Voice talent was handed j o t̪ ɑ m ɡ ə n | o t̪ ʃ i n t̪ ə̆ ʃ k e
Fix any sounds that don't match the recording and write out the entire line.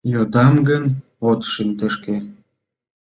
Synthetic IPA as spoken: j o d̪ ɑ m ɡ ə n | o t̪ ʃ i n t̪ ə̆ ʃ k e